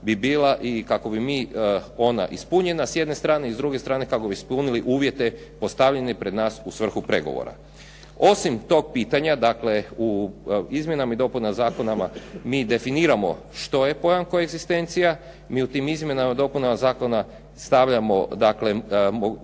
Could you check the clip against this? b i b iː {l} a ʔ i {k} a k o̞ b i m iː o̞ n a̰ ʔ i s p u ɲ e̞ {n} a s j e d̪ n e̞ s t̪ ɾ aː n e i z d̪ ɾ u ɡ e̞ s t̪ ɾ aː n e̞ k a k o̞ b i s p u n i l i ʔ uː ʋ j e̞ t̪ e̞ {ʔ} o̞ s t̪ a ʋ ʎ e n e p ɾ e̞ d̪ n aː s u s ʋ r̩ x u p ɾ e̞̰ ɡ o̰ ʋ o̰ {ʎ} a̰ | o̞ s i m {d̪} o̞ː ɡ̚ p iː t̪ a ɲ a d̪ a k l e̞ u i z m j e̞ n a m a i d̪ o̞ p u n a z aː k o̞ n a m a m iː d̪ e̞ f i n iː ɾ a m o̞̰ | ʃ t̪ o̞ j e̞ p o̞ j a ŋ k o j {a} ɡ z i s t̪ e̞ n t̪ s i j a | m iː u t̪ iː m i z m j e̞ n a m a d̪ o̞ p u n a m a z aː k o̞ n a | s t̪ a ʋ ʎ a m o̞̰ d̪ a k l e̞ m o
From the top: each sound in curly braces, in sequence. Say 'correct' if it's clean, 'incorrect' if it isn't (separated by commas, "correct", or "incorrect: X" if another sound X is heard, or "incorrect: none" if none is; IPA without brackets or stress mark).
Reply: correct, correct, correct, incorrect: p, incorrect: ɾ, incorrect: t̪, incorrect: e